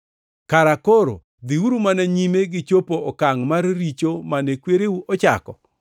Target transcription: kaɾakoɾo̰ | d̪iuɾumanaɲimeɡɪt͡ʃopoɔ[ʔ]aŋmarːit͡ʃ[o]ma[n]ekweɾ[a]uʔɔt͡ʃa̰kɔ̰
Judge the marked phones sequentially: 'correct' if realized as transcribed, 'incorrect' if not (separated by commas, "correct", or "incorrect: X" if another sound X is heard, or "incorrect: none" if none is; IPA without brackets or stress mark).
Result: incorrect: k, correct, correct, incorrect: e